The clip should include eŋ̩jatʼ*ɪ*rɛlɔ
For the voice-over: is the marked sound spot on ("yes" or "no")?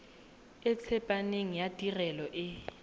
no